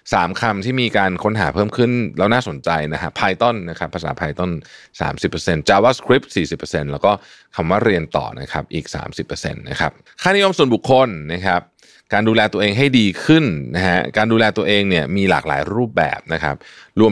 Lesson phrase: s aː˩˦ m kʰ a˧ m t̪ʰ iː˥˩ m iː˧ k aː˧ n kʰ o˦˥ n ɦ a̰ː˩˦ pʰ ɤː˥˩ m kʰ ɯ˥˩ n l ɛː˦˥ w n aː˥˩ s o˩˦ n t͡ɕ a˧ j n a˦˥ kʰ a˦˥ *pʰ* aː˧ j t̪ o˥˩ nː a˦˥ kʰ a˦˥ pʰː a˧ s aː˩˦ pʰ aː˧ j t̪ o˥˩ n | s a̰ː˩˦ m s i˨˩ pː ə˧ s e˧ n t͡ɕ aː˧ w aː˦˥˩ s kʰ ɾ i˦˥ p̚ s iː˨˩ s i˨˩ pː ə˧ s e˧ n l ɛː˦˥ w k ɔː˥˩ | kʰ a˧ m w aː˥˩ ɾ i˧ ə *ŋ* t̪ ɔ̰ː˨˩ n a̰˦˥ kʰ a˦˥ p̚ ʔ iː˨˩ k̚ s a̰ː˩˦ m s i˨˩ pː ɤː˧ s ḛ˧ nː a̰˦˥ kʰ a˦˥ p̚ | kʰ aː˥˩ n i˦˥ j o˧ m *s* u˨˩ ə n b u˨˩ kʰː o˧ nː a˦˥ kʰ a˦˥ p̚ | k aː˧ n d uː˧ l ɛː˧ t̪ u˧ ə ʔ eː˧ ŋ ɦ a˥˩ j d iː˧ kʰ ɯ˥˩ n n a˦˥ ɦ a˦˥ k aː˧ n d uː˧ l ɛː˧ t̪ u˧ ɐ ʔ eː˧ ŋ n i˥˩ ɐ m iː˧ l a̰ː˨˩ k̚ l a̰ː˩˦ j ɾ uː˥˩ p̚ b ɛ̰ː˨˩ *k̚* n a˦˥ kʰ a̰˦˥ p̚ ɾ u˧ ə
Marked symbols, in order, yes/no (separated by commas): yes, no, yes, no